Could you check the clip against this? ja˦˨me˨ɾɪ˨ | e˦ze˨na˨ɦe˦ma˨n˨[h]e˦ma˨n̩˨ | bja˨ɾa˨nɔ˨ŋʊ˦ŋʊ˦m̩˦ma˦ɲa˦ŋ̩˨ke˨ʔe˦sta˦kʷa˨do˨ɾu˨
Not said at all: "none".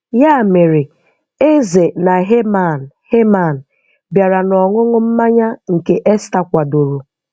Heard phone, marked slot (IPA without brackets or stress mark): h